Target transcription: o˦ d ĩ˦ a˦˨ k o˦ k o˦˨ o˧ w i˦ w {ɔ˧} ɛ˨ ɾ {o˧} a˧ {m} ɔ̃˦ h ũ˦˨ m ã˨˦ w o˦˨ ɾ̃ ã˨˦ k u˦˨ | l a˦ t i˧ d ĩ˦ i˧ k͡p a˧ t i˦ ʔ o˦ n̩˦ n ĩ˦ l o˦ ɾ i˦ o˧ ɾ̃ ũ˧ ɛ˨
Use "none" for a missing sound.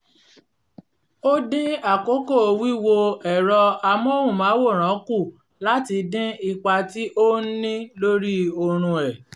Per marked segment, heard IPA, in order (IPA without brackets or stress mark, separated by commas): o˧, ɔ˧, m